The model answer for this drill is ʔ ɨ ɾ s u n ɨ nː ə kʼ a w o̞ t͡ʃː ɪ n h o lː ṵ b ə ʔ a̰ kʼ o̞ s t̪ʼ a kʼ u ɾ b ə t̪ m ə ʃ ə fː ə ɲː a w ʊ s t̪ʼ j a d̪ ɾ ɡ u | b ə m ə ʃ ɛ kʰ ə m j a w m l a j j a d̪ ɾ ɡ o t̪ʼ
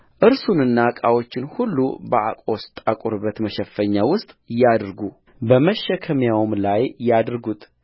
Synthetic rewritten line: ʔ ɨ ɾ s u n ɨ nː a kʼ a w o̞ t͡ʃː ɪ n h u lː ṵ b ə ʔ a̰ kʼ o̞ s t̪ʼ a kʼ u ɾ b ə t̪ m ə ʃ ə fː ə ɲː a w ʊ s t̪ʼ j a d̪ ɾ ɡ u | b ə m ə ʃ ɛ kʰ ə m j a w m l a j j a d̪ ɾ ɡ u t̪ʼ

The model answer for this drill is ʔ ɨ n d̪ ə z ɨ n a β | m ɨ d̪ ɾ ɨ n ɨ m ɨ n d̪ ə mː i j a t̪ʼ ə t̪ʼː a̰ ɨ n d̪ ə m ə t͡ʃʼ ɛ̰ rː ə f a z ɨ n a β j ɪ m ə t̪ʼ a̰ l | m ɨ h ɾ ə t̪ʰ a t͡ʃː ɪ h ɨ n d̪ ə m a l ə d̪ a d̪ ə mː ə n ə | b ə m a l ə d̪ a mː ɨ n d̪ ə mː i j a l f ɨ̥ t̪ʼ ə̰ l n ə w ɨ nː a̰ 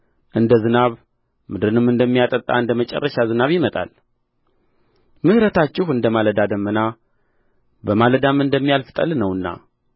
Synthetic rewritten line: ʔ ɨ n d̪ ə z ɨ n a β | m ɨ d̪ ɾ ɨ n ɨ m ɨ n d̪ ə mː i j a t̪ʼ ə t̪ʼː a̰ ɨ n d̪ ə m ə t͡ʃʼ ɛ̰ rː ə ʃ a z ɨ n a β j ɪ m ə t̪ʼ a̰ l | m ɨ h ɾ ə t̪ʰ a t͡ʃː ɪ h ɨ n d̪ ə m a l ə d̪ a d̪ ə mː ə n a | b ə m a l ə d̪ a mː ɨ n d̪ ə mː i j a l f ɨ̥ t̪ʼ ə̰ l n ə w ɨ nː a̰

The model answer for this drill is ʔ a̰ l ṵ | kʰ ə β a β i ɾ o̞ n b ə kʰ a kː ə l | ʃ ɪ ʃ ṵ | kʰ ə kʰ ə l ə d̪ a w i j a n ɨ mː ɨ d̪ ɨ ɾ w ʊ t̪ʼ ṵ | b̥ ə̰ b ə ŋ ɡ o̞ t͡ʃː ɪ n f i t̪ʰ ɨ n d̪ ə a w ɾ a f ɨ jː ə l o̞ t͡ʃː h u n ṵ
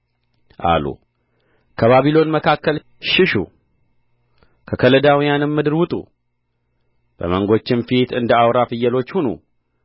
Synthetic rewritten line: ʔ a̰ l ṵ | kʰ ə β a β i l o̞ n m ə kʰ a kː ə l | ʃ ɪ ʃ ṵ | kʰ ə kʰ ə l ə d̪ a w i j a n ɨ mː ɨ d̪ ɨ ɾ w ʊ t̪ʼ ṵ | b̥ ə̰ m ə ŋ ɡ o̞ t͡ʃː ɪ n f i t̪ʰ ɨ n d̪ ə a w ɾ a f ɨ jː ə l o̞ t͡ʃː h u n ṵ

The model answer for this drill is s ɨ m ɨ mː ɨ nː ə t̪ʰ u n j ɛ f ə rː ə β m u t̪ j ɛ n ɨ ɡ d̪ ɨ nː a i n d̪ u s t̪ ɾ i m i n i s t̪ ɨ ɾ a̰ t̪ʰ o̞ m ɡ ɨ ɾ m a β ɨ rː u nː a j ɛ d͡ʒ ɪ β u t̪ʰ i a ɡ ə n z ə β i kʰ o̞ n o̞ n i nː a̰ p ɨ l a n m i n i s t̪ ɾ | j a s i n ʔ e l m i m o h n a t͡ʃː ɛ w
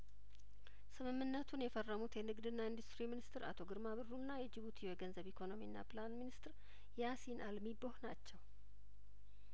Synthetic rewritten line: s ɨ m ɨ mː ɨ nː ə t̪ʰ u n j ɛ f ə rː ə m u t̪ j ɛ n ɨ ɡ d̪ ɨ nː a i n d̪ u s t̪ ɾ i m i n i s t̪ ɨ ɾ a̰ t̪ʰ o̞ ɡ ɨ ɾ m a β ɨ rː u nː a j ɛ d͡ʒ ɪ β u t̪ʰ i ɛ ɡ ə n z ə β i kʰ o̞ n o̞ m i nː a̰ p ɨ l a n m i n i s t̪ ɾ | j a s i n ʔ a l m i b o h n a t͡ʃː ɛ w

